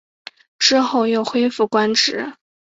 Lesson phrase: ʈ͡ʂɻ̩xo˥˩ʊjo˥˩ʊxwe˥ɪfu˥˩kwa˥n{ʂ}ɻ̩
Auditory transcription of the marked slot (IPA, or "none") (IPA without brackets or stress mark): ʈ͡ʂ